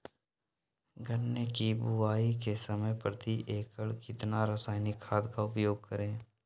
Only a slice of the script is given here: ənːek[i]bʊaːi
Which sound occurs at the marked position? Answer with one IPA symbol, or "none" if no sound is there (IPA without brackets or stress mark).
i